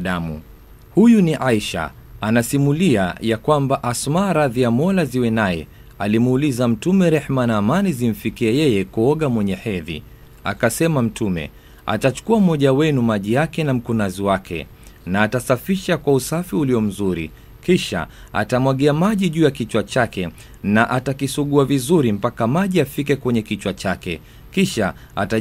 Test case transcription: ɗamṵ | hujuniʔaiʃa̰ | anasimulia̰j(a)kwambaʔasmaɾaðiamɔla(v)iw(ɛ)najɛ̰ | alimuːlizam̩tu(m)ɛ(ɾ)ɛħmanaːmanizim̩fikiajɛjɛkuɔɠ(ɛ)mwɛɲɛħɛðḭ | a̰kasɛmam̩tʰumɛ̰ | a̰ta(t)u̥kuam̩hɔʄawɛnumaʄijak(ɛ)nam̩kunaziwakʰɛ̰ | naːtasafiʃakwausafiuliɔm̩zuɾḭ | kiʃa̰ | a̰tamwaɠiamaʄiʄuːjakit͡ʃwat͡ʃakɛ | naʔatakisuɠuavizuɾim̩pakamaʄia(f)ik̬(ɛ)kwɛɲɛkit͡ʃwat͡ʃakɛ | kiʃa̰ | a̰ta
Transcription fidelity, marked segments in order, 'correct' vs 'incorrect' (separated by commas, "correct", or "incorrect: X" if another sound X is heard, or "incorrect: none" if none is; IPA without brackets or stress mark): correct, incorrect: z, correct, correct, correct, incorrect: a, incorrect: t͡ʃ, correct, correct, correct